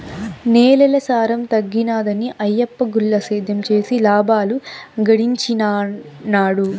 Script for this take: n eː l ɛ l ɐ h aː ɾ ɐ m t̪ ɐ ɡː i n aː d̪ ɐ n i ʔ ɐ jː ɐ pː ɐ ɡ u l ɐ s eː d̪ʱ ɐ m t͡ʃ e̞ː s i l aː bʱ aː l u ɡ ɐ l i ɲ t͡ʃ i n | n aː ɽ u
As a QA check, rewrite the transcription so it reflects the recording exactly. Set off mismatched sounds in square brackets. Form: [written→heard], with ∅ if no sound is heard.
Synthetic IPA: n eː l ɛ l ɐ [h→s] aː ɾ ɐ m t̪ ɐ ɡː i n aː d̪ ɐ n i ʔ ɐ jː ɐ pː ɐ ɡ u [l→lː] ɐ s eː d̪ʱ ɐ m t͡ʃ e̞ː s i l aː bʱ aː l u ɡ ɐ [l→ɽ] i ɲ t͡ʃ i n | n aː ɽ u